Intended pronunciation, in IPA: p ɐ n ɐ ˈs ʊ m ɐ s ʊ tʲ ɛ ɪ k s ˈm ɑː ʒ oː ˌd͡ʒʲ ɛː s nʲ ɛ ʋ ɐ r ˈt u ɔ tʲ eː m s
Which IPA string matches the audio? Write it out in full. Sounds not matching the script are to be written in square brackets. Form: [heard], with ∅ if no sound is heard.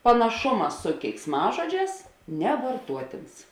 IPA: p ɐ n ɐ [ˈʃ] ʊ m ɐ s ʊ [kʲ] ɛ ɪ k s ˈm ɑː ʒ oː ˌd͡ʒʲ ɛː s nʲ ɛ ʋ ɐ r ˈt u ɔ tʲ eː [n] s